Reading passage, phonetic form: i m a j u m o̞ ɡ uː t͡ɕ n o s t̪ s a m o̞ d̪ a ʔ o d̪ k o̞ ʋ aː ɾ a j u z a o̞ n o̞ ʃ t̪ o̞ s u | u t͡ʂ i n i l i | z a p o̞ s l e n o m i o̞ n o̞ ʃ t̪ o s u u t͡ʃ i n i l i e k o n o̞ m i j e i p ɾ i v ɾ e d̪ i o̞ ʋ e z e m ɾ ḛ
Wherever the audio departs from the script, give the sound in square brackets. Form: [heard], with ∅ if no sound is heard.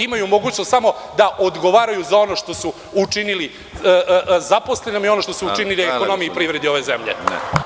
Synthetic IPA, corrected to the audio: i m a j u m o̞ ɡ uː t͡ɕ n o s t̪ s a m o̞ d̪ a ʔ o d̪ [ɡ] o̞ ʋ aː ɾ a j u z a o̞ n o̞ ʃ t̪ o̞ s u | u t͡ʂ i n i l i | z a p o̞ s l e n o m i o̞ n o̞ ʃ t̪ o s u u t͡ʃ i n i l i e k o n o̞ m i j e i p ɾ i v ɾ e d̪ i o̞ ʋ e z e m [ʎ] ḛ